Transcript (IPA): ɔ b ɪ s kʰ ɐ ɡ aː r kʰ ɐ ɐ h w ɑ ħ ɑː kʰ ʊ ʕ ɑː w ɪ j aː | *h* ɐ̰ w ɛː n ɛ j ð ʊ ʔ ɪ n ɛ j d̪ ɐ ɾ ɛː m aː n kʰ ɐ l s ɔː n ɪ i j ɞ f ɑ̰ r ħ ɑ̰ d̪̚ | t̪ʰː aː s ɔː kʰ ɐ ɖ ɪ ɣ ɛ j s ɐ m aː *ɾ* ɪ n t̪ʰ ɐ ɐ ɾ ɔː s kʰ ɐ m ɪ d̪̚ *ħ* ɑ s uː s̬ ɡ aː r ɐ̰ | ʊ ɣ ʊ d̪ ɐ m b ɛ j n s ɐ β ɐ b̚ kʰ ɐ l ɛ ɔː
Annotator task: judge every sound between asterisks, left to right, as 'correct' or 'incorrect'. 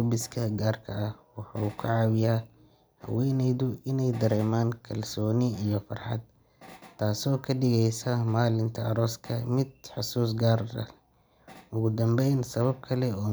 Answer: correct, incorrect: l, correct

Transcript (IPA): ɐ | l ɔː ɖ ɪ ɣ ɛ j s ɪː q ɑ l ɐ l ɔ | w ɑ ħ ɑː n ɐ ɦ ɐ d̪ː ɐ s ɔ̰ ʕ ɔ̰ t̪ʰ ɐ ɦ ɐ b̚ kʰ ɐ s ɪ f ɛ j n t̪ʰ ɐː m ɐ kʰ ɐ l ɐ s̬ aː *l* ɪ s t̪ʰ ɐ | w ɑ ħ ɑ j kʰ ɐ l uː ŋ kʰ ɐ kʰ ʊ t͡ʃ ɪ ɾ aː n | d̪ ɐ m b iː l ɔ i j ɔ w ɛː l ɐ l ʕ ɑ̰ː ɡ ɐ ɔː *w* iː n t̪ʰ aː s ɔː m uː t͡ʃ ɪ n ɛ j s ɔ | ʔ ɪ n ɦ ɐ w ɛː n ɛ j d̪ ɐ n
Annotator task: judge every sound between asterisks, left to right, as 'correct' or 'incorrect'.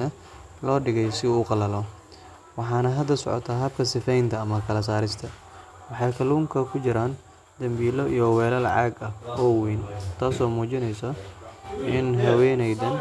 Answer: incorrect: ɾ, correct

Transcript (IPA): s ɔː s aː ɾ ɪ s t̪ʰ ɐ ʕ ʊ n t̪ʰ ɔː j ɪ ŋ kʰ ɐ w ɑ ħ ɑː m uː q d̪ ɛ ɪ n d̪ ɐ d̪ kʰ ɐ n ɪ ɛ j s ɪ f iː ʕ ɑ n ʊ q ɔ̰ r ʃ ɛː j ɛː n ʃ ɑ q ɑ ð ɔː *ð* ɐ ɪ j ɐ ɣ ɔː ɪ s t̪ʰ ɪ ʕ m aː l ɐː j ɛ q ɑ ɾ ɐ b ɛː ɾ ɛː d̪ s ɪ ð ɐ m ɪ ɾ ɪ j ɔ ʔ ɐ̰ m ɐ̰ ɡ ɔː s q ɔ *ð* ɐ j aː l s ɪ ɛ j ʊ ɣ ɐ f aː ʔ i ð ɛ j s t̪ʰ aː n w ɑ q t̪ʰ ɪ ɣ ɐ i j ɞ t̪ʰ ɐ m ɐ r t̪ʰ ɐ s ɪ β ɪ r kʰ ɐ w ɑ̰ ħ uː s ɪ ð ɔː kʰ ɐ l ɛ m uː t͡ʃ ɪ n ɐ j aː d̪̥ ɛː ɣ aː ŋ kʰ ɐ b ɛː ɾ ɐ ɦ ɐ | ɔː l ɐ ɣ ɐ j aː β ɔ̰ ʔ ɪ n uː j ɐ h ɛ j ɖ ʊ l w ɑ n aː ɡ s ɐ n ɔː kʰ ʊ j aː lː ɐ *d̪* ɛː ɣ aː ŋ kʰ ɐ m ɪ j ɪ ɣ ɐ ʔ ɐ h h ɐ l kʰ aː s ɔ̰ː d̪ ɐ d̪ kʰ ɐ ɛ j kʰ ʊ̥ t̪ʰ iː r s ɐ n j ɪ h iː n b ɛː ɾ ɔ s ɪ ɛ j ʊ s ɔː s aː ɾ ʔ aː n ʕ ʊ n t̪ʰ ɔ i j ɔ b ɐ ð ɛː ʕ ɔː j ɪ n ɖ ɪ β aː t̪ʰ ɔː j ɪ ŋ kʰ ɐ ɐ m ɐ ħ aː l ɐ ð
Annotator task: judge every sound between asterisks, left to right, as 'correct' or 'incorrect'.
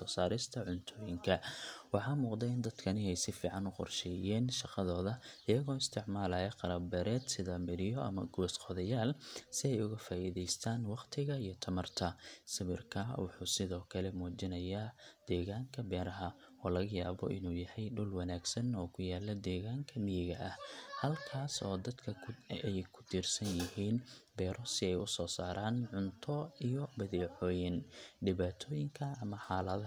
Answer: correct, correct, correct

